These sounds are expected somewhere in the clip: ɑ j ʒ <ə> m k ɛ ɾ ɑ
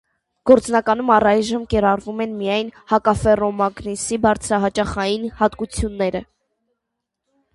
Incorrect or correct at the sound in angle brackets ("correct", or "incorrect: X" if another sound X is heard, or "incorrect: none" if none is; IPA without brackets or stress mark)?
correct